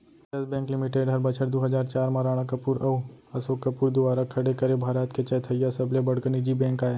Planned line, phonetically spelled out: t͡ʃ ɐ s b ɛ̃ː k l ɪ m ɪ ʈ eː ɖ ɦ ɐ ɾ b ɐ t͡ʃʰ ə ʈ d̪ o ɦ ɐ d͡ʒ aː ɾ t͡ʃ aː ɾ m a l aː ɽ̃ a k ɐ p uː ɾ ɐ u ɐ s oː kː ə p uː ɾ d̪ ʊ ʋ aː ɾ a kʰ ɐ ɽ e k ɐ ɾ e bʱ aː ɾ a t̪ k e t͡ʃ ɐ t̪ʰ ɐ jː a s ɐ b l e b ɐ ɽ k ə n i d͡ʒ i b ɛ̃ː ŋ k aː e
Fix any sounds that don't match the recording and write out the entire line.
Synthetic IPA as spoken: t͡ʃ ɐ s b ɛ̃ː k l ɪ m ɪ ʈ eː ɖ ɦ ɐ ɾ b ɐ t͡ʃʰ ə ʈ d̪ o ɦ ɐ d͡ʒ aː ɾ t͡ʃ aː ɾ m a ɾ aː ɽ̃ a k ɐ p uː ɾ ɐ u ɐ s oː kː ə p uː ɾ d̪ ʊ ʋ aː ɾ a kʰ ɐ ɽ e k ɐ ɾ e bʱ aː ɾ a t̪ k e t͡ʃ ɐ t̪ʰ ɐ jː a s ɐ b l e b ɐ ɽ k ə n i d͡ʒ i b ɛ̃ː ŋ k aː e